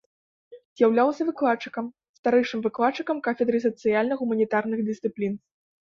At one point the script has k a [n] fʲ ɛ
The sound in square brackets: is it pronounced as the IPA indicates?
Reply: no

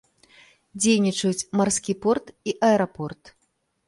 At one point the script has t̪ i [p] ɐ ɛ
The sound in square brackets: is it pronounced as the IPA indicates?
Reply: no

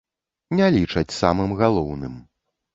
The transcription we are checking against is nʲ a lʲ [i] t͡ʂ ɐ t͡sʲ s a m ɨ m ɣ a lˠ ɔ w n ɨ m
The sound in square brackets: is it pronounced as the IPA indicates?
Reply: yes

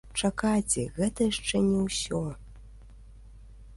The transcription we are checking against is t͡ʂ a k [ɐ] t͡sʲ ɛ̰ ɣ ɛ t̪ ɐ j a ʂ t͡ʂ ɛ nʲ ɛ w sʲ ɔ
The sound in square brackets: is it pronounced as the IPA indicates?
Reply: no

